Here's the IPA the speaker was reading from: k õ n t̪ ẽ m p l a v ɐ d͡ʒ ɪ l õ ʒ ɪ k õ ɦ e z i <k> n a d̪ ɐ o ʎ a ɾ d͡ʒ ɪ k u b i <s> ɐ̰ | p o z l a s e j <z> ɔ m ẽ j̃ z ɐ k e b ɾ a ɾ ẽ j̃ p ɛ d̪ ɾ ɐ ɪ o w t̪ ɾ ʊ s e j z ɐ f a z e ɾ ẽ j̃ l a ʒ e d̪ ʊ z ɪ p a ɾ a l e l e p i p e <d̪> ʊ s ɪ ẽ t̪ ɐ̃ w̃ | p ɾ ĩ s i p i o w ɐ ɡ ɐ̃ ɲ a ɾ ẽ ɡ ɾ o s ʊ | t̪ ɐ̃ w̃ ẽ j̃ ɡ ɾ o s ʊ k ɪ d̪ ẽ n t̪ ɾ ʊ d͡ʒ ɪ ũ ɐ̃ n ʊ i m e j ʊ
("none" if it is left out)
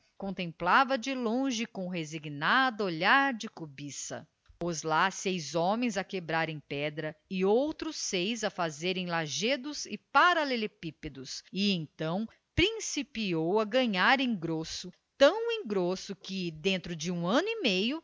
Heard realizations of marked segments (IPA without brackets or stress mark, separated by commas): ɡ, s, z, d̪